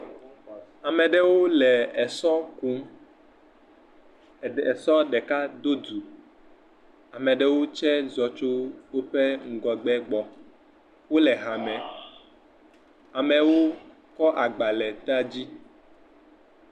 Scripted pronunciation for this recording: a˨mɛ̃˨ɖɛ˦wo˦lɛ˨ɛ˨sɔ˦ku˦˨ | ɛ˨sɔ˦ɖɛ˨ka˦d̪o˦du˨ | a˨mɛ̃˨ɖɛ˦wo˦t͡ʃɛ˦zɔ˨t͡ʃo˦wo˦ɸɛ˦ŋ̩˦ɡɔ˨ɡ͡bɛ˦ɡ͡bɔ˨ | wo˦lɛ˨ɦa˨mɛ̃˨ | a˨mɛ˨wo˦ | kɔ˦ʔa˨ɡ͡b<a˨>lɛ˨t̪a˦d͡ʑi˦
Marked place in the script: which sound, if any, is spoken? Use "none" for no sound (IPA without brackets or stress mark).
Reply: a˨